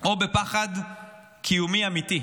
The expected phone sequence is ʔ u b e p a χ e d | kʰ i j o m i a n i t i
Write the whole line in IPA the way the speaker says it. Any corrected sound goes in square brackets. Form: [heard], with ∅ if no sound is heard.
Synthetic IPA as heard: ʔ [o] b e p a χ [a] d | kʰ i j [u] m i a [m] i t i